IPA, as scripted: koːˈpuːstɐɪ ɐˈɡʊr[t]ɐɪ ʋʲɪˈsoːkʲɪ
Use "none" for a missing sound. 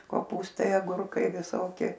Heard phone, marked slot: k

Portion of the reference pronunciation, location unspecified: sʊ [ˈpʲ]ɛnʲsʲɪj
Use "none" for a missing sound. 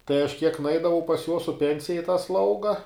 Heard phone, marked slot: pʲ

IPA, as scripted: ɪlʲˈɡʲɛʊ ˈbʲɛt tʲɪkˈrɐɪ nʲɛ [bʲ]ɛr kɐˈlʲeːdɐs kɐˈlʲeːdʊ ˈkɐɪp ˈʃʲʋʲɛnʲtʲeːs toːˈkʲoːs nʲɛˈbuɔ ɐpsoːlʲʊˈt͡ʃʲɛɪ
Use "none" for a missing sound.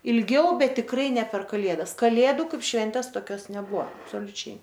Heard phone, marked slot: pʲ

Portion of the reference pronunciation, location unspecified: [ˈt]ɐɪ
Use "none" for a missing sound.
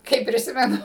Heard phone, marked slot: k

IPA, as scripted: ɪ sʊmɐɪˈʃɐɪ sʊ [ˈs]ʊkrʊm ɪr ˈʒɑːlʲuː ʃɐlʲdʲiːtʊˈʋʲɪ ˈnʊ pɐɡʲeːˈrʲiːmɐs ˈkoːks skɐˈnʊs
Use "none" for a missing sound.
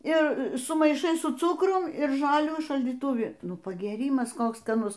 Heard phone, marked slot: t͡s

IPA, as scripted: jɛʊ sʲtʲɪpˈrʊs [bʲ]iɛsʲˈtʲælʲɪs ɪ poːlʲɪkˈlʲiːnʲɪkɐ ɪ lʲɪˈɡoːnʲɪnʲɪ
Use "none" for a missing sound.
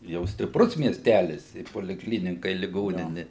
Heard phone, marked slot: mʲ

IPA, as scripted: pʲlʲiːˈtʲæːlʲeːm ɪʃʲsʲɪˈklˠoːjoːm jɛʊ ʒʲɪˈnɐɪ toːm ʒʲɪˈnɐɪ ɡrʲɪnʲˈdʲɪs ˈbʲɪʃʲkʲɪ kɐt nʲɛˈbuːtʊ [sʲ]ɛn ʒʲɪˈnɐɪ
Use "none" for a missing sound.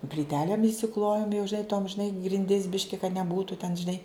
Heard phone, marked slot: tʲ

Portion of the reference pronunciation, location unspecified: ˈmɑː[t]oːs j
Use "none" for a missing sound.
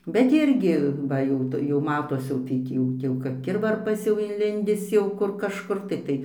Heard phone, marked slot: t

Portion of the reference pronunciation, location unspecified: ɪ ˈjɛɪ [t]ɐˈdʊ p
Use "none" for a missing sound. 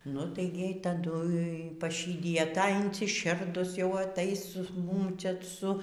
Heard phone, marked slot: t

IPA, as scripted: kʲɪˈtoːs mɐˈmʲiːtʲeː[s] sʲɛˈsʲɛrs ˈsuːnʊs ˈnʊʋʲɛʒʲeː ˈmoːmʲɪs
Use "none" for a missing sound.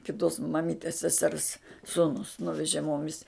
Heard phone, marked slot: s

